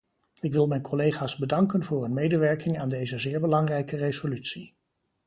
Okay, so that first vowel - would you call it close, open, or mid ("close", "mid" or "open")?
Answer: close